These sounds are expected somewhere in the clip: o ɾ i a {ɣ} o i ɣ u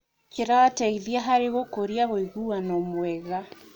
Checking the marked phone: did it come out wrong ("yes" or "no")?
no